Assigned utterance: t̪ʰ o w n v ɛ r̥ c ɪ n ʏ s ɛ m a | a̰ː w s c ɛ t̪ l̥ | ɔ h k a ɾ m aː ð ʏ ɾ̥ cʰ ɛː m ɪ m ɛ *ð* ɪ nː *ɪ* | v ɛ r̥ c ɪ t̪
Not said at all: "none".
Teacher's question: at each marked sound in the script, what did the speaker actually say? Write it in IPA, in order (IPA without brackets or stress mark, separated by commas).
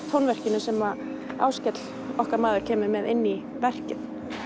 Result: ð, i